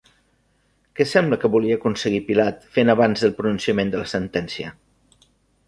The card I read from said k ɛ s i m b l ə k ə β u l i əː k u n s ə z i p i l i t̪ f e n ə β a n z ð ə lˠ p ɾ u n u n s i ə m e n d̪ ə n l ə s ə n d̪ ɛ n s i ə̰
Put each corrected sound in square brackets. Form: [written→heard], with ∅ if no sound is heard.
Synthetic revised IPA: k ɛ s [i→ɛ] m b l ə k ə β u l i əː k u n s ə [z→ɣ] i p i l [i→a] t̪ f e n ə β a n z ð ə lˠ p ɾ u n u n s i ə m e n d̪ ə [n→∅] l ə s ə n [d̪→t̪] ɛ n s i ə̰